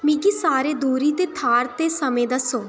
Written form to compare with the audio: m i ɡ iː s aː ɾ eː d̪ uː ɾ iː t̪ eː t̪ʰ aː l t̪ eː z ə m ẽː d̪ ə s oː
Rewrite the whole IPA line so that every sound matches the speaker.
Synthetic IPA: m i ɡ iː s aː ɾ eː d̪ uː ɾ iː t̪ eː t̪ʰ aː ɾ t̪ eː s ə m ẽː d̪ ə s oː